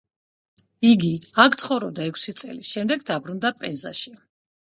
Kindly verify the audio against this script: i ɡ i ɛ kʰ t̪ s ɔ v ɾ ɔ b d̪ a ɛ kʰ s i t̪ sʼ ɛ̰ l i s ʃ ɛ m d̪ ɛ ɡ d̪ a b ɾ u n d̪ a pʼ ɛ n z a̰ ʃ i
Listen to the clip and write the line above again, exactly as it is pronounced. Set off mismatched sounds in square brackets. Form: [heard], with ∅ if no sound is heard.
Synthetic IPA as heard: i ɡ i [a] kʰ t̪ [χ] ɔ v ɾ ɔ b d̪ a ɛ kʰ s i t̪ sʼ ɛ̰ l i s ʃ ɛ m d̪ ɛ ɡ d̪ a b ɾ u n d̪ a pʼ ɛ n z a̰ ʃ i